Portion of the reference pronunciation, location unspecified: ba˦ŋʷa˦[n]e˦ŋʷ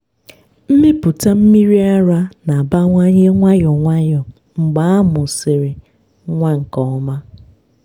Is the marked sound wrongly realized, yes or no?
yes